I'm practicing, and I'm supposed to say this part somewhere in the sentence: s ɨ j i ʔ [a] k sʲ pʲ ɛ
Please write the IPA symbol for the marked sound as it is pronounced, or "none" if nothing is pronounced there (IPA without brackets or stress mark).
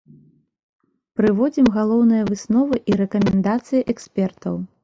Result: ɛ